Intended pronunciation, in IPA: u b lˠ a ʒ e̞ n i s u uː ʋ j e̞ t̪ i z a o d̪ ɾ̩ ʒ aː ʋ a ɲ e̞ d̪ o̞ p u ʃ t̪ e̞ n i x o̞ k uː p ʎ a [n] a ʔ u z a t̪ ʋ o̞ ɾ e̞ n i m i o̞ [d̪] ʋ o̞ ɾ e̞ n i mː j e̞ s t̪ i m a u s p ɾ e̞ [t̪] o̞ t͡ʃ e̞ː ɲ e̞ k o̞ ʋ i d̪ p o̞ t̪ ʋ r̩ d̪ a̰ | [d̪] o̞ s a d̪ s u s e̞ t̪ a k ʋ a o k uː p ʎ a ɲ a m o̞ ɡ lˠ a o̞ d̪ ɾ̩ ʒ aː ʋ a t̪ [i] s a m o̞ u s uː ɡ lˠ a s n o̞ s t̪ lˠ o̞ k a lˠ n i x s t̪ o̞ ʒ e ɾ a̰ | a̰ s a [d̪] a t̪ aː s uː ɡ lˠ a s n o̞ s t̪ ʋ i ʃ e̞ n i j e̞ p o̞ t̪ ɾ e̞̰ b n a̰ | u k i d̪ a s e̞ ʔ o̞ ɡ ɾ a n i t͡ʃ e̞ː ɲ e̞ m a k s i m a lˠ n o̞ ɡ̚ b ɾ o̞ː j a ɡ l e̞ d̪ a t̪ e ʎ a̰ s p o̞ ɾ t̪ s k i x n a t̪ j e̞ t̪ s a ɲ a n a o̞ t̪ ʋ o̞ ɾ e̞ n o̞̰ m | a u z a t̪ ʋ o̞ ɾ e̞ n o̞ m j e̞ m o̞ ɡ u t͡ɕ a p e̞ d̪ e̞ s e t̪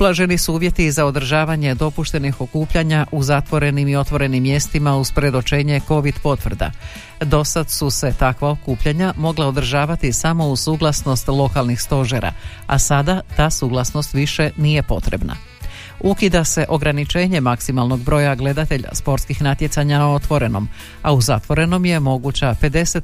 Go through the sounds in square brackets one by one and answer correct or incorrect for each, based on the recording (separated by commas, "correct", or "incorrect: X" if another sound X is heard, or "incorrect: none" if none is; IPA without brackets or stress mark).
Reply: incorrect: ɲ, incorrect: t̪, incorrect: d̪, correct, correct, correct